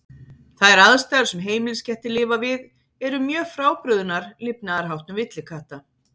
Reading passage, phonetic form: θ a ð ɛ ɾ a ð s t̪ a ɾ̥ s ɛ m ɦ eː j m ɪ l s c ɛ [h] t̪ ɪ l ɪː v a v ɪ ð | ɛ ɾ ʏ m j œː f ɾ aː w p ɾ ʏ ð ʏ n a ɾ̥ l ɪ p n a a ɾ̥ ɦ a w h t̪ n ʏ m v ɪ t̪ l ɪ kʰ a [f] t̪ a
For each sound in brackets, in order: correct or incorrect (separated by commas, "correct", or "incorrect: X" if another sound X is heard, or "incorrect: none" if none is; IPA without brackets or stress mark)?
correct, incorrect: h